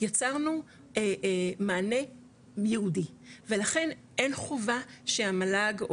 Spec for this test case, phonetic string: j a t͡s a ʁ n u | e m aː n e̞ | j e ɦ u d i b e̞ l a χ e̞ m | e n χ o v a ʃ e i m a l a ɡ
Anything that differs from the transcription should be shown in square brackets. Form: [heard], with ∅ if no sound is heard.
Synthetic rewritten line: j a t͡s a ʁ n u | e m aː n e̞ | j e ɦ u d i [v] e̞ l a χ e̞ [n] | e n χ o v a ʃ e [a] m a l a ɡ